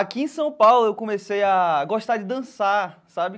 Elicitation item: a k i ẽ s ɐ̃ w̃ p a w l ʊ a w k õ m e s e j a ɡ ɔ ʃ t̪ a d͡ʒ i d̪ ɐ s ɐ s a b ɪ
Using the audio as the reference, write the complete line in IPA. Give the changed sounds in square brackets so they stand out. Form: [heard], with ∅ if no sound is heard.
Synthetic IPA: a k i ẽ s ɐ̃ w̃ p a w l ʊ [e] w k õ m e s e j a ɡ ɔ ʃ t̪ a d͡ʒ [ɪ] d̪ [ɐ̃] s [a] s a b ɪ